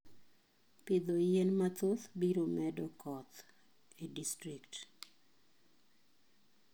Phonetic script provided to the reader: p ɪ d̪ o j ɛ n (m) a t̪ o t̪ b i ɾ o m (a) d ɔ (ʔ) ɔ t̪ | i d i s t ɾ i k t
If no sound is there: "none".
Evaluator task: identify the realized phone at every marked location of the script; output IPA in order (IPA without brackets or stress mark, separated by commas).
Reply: m, ɛ, k